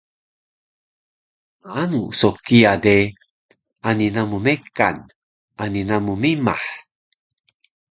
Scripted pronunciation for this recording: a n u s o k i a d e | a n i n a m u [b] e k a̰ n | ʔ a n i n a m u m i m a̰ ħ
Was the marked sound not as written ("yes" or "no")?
yes